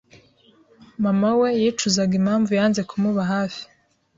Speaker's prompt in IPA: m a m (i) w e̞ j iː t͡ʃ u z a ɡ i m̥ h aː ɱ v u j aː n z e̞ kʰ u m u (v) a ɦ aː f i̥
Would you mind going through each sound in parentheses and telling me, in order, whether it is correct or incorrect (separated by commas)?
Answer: incorrect, incorrect